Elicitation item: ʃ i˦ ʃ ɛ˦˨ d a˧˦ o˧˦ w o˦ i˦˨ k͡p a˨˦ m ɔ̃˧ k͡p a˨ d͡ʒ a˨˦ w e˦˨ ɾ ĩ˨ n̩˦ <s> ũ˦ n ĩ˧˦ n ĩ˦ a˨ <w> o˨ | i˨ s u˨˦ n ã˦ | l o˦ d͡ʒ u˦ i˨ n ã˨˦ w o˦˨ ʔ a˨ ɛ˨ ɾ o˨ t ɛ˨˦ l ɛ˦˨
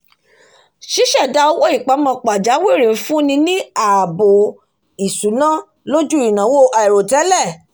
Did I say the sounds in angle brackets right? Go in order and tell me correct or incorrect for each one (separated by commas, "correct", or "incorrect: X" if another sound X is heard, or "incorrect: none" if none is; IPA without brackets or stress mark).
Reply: incorrect: f, incorrect: b